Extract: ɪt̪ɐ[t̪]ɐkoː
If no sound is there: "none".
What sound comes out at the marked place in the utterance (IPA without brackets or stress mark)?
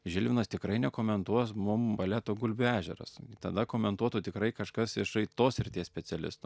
d̪